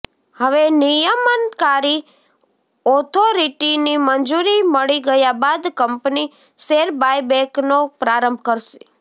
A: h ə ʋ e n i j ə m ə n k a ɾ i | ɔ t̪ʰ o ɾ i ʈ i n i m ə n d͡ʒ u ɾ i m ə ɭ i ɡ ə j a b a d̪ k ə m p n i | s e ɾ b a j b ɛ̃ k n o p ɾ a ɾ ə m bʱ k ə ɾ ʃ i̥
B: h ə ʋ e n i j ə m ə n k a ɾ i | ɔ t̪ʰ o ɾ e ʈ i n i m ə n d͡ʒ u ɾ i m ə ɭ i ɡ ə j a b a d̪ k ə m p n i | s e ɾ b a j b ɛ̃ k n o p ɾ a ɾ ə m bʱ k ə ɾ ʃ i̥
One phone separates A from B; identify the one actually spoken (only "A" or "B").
A